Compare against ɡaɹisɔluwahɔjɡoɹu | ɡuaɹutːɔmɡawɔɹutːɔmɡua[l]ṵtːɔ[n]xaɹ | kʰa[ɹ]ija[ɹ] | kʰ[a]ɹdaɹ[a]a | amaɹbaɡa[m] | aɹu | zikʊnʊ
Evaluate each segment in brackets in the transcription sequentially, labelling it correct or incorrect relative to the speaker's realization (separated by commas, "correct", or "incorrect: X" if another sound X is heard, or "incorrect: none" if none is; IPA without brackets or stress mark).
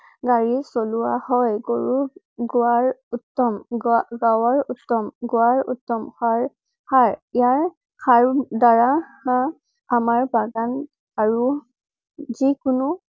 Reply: incorrect: ɹ, incorrect: m, correct, correct, correct, correct, incorrect: n